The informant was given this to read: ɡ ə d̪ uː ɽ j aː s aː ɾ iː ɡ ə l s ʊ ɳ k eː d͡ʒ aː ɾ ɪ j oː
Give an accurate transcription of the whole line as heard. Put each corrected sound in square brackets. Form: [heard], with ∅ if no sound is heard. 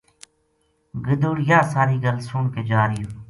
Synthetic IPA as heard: ɡ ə d̪ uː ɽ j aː s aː ɾ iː ɡ ə l s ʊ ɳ k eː d͡ʒ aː ɾ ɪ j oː